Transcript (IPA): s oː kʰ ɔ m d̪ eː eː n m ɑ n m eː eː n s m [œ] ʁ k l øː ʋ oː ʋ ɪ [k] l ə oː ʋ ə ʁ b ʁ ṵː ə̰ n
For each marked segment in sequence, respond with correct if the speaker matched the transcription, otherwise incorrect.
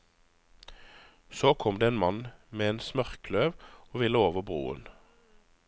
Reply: correct, incorrect

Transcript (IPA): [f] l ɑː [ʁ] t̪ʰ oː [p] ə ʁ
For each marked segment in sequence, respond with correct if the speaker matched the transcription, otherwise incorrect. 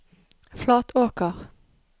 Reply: correct, incorrect, incorrect

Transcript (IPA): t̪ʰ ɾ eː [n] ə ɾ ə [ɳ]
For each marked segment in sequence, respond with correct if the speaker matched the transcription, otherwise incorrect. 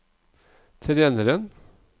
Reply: correct, incorrect

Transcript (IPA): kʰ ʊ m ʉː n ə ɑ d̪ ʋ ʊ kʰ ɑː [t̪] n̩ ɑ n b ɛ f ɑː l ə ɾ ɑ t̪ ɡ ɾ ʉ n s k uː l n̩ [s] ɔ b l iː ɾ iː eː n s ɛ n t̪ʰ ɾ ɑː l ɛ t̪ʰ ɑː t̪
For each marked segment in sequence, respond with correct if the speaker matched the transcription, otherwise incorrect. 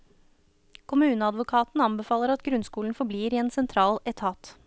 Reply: correct, incorrect

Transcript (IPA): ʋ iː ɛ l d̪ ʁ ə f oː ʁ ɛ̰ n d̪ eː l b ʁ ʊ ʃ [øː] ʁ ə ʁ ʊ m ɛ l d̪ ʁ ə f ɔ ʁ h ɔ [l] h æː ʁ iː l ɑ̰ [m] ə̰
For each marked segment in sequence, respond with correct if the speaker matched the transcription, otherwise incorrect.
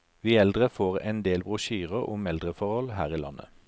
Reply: incorrect, correct, incorrect

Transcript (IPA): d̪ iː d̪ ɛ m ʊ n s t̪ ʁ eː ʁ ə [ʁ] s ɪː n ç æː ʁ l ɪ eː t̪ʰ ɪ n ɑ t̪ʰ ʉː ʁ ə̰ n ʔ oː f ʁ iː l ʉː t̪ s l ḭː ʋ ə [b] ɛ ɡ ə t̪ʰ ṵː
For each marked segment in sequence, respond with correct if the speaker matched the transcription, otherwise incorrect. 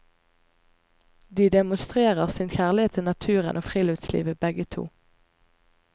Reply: correct, correct

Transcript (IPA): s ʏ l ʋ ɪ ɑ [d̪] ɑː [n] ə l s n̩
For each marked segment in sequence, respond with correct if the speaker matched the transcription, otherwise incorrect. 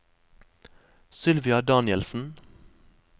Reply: correct, correct

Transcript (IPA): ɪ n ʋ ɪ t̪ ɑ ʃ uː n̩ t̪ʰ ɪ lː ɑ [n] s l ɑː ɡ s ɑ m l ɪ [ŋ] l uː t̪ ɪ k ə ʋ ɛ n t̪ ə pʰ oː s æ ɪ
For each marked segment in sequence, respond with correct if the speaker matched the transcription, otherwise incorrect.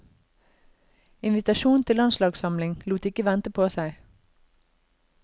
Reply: correct, correct

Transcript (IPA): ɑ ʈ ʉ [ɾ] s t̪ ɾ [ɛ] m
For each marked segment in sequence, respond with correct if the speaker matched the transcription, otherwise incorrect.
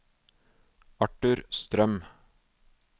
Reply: correct, incorrect

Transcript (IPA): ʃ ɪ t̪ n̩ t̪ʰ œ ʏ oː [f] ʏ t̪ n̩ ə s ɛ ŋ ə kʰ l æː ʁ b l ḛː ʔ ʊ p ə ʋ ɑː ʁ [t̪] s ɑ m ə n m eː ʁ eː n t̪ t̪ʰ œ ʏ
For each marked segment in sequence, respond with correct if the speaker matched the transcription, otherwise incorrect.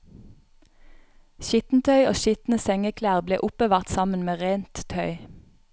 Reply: incorrect, correct

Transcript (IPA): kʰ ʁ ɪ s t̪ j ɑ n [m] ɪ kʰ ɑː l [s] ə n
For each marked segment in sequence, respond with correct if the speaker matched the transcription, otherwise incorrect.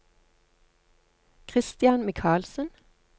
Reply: correct, correct

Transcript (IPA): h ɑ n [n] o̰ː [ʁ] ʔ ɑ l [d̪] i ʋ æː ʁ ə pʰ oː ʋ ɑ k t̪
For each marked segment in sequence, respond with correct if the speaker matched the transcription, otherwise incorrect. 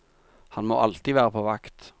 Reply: incorrect, incorrect, incorrect

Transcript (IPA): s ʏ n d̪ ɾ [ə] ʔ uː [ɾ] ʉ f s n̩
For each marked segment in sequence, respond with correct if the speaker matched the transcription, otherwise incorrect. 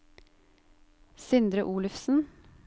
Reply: correct, incorrect

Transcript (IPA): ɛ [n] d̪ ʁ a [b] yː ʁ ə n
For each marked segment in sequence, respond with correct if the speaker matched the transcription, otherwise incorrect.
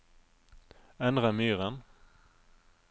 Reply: correct, incorrect

